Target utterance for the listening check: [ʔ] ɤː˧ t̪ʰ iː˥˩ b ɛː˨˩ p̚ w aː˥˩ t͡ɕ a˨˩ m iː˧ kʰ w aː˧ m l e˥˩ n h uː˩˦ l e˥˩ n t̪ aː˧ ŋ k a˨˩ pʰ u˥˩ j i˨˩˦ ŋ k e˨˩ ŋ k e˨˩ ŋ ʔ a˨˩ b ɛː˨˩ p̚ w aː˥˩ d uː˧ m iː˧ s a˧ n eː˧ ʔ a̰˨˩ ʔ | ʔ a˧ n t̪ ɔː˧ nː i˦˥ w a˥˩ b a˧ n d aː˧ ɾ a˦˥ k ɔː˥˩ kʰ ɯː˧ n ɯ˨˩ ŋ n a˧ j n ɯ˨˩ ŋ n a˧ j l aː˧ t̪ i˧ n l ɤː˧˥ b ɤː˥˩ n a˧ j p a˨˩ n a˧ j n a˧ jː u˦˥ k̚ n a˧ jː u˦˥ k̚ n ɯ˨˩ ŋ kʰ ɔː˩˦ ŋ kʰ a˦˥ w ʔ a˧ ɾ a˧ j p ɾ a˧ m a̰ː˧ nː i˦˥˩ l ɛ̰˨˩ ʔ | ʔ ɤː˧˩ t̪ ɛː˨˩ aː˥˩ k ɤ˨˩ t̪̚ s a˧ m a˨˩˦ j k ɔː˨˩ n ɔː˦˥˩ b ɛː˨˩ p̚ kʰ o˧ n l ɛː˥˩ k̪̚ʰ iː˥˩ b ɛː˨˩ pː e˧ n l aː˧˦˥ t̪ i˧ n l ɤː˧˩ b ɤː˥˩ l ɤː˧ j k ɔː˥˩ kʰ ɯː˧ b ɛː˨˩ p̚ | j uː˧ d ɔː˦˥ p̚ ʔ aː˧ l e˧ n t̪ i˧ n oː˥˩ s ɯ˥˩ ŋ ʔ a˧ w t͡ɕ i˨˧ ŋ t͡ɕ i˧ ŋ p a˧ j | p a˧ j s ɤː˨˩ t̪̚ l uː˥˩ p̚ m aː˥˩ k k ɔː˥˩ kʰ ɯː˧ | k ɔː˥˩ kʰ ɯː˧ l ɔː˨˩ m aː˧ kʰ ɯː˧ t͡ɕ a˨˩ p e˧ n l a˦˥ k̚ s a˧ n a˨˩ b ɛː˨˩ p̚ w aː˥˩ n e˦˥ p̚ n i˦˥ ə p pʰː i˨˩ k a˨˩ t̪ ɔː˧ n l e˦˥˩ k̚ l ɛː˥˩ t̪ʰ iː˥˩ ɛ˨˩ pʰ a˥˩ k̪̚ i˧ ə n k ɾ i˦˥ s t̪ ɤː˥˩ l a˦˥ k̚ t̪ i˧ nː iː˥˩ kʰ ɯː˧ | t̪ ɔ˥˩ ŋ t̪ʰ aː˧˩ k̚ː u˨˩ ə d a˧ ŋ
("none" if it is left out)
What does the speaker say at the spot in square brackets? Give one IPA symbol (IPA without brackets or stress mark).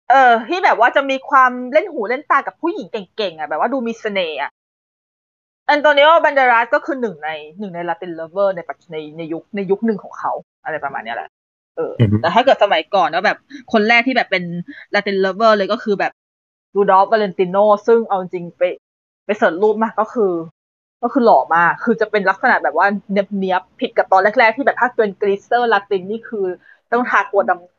ʔ